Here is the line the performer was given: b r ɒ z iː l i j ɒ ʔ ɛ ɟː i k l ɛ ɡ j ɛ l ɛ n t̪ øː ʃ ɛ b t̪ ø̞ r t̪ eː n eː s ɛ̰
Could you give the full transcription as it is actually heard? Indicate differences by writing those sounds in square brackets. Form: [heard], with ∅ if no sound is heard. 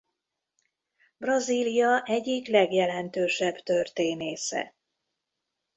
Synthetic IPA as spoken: b r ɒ z iː l i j ɒ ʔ ɛ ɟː i k l ɛ ɡ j ɛ l ɛ n t̪ øː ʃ ɛ b t̪ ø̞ r t̪ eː n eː s ɛ̰